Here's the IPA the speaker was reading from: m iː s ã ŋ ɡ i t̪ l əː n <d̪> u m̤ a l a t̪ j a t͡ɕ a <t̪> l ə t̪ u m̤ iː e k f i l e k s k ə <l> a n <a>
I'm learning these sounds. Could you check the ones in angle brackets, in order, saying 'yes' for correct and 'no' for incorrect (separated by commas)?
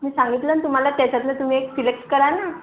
no, yes, no, yes